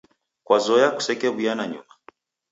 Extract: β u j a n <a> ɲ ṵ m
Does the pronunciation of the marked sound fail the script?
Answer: no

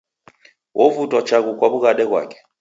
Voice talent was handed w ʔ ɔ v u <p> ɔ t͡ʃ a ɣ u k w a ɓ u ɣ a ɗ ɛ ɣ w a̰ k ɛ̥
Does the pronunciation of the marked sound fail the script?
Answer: yes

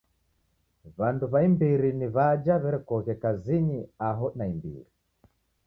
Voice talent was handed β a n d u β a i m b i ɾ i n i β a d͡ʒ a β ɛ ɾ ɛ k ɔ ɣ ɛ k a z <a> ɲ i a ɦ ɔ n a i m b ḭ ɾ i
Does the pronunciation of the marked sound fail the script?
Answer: yes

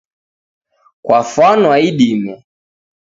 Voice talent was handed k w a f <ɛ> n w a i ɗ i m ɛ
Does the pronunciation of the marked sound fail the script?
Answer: yes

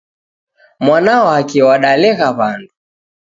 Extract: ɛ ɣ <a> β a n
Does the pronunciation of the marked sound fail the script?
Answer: no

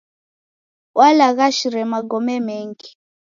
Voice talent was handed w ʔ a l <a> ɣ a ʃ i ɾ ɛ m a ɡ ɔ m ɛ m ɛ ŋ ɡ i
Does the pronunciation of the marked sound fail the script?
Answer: no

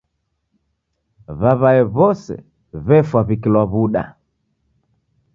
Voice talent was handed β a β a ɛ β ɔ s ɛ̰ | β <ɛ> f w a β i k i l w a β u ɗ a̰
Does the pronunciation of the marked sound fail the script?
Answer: no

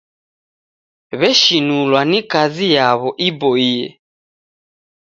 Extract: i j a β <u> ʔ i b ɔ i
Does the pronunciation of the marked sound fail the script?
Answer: yes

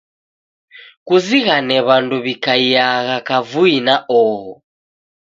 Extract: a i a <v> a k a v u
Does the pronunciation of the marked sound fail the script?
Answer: yes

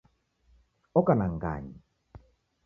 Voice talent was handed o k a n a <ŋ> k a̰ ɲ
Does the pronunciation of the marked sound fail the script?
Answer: no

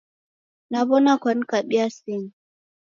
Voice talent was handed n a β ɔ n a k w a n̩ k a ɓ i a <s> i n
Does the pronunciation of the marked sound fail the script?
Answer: no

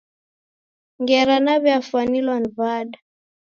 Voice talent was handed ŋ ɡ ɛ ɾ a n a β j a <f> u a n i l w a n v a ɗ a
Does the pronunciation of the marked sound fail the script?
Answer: no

